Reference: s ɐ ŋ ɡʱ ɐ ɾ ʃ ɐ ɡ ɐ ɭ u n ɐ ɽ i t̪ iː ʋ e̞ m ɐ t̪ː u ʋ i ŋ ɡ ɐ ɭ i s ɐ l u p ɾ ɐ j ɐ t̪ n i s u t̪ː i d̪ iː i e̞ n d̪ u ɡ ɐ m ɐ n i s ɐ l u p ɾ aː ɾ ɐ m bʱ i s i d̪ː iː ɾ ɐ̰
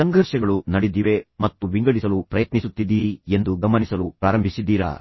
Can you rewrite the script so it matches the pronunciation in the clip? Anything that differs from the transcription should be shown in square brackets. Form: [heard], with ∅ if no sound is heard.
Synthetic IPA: s ɐ ŋ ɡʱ ɐ ɾ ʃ ɐ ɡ ɐ ɭ u n ɐ ɽ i [d̪] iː ʋ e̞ m ɐ t̪ː u ʋ i ŋ ɡ ɐ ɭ i s ɐ l u p ɾ ɐ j ɐ t̪ n i s u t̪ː i d̪ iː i e̞ n d̪ u ɡ ɐ m ɐ n i s ɐ l u p ɾ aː ɾ ɐ m bʱ i s i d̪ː iː ɾ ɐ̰